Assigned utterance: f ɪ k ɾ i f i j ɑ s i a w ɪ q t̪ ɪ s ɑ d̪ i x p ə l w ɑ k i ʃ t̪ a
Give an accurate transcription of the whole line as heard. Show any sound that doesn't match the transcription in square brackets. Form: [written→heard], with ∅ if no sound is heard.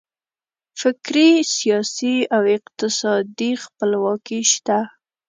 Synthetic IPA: f ɪ k ɾ i [f→s] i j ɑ s i a w ɪ q t̪ ɪ s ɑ d̪ i x p ə l w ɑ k i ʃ t̪ a